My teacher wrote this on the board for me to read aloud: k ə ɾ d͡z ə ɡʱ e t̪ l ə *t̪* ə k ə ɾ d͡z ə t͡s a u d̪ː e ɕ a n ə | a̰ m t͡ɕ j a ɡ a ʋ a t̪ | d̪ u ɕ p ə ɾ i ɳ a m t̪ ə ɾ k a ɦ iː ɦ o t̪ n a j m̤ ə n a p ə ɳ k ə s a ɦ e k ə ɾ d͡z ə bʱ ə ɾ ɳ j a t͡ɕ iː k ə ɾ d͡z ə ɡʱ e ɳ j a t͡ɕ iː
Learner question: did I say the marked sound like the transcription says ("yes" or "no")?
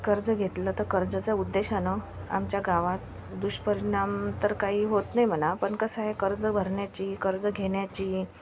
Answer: yes